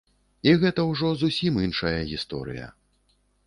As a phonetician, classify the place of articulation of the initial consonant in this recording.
velar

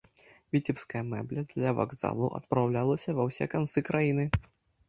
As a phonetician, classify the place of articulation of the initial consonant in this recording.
labial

